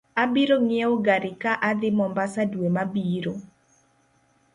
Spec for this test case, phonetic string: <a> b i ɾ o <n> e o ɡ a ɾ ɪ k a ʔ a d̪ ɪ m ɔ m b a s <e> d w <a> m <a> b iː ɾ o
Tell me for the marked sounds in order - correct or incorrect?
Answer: correct, incorrect, incorrect, incorrect, correct

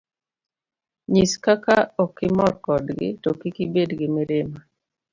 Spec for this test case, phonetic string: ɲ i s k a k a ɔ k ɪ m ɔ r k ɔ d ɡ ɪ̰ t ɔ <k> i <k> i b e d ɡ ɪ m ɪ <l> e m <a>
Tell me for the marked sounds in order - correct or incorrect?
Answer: correct, correct, incorrect, correct

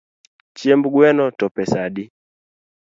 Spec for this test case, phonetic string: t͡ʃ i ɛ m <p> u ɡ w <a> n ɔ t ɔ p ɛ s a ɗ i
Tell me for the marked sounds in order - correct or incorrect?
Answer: incorrect, incorrect

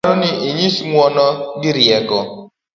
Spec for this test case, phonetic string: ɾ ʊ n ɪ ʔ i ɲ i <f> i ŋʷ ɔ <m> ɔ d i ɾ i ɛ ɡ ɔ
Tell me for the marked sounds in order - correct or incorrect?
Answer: incorrect, incorrect

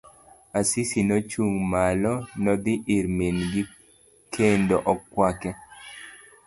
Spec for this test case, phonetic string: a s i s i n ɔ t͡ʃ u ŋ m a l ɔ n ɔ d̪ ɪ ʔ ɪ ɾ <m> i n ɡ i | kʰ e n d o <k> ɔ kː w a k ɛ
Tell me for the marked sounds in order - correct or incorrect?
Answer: correct, incorrect

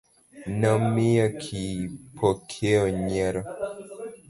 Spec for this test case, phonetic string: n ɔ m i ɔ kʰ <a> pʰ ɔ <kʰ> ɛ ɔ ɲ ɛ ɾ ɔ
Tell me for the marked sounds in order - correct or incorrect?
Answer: incorrect, correct

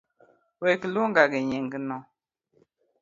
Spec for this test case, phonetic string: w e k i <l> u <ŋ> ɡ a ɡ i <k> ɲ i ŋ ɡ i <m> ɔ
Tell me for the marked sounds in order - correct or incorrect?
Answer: correct, correct, incorrect, incorrect

